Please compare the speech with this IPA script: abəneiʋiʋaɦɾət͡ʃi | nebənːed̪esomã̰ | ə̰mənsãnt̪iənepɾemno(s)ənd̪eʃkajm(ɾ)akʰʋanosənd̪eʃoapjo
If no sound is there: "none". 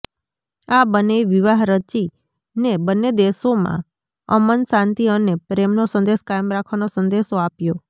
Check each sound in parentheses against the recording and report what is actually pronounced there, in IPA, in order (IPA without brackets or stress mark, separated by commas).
s, ɾ